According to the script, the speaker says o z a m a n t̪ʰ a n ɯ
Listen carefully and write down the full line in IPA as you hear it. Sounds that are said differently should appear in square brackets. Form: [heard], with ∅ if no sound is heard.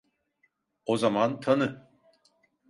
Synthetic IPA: o z a m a n t̪ʰ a n ɯ